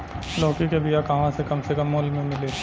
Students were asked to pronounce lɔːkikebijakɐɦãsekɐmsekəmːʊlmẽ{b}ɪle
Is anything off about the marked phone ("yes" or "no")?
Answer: yes